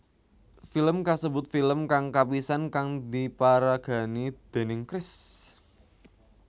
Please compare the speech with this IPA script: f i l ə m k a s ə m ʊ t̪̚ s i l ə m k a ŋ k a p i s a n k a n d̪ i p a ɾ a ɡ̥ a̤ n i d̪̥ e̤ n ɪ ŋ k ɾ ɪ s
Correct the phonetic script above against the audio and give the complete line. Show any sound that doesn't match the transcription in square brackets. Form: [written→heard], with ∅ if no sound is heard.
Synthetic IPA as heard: f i l ə m k a s ə [m→b] ʊ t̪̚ [s→f] i l ə m k a ŋ k a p i s a n k a [n→ŋ] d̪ i p a ɾ a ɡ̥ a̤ n i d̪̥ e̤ n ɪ ŋ k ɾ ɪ s